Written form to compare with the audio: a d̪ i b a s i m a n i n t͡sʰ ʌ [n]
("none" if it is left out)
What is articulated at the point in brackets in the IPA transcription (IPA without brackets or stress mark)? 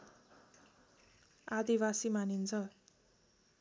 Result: none